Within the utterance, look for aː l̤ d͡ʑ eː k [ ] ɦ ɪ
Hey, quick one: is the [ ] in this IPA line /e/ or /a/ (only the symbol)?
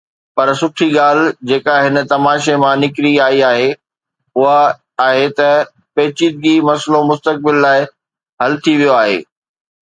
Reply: a